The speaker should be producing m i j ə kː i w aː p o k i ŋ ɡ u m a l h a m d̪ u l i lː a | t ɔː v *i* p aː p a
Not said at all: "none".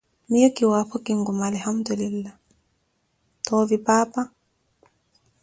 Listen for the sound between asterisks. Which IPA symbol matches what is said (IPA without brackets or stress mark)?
i